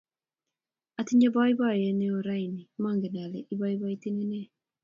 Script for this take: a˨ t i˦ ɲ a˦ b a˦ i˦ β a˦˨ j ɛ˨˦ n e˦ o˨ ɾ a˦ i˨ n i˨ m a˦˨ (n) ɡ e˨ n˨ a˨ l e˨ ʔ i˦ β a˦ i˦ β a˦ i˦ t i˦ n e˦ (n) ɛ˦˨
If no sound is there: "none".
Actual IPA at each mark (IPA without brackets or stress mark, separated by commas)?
ŋ, n